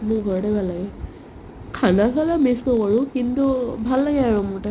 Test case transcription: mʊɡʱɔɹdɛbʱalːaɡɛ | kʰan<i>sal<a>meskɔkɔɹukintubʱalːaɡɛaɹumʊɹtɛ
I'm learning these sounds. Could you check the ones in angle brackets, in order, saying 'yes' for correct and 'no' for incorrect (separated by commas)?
no, yes